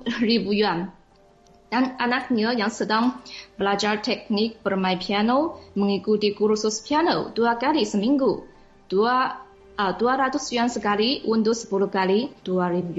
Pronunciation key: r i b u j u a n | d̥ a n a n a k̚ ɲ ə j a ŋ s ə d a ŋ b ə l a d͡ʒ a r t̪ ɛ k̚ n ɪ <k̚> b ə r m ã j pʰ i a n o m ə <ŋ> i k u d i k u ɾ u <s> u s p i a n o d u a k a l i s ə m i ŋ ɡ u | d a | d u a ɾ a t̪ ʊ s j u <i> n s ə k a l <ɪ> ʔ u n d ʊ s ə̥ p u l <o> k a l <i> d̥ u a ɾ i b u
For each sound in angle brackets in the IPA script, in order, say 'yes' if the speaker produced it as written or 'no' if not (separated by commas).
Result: yes, yes, yes, no, no, no, yes